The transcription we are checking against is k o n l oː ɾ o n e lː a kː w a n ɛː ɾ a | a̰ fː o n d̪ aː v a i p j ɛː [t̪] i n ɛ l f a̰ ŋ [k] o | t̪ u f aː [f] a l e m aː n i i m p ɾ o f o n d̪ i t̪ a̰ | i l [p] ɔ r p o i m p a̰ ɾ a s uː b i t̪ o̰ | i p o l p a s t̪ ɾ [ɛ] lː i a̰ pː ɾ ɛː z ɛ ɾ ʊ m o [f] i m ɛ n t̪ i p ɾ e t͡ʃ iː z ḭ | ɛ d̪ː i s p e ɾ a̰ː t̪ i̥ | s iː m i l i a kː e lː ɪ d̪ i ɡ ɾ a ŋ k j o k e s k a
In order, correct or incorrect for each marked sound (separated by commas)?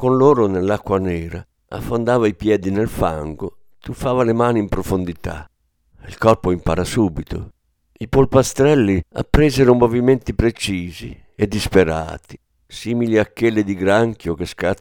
incorrect, incorrect, incorrect, incorrect, correct, incorrect